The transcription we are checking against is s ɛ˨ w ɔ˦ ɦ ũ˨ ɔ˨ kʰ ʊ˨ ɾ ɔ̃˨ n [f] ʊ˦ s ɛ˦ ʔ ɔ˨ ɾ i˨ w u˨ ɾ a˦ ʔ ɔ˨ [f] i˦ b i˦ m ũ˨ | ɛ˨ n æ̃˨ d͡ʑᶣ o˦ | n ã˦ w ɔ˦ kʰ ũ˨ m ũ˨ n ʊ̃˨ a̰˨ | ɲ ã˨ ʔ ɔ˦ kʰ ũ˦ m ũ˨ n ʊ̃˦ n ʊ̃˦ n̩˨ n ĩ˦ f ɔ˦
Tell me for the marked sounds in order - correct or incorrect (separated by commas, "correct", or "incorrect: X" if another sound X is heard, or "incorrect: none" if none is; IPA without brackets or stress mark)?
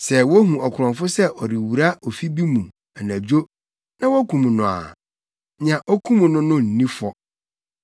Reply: correct, correct